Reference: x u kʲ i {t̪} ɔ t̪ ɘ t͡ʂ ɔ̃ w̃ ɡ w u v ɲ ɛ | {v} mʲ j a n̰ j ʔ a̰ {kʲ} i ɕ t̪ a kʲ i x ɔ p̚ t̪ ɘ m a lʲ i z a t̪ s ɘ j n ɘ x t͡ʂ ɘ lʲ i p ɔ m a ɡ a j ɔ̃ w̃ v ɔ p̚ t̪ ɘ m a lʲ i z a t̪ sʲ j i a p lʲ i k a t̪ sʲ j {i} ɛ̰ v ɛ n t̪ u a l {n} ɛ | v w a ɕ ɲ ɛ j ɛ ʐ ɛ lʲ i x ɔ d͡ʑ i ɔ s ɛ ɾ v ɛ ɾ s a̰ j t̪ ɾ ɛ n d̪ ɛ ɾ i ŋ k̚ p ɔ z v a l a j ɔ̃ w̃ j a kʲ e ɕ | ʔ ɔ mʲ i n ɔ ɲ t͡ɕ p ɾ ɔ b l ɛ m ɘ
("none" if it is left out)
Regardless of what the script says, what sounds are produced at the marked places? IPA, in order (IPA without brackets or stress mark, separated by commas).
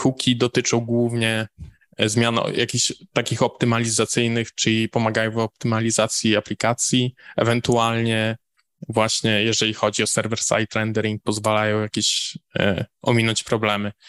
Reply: d̪, z, kʲ, i, ɲ